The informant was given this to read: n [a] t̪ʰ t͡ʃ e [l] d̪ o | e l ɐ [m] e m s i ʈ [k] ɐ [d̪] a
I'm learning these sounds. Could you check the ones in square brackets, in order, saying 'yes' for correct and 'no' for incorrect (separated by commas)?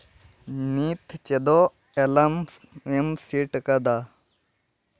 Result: no, no, yes, yes, yes